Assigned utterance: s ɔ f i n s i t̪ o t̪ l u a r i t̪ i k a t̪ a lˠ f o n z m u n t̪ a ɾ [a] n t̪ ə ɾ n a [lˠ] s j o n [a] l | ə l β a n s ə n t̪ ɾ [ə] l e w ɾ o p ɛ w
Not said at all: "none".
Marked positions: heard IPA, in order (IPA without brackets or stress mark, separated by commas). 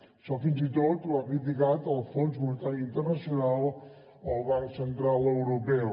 i, none, a, a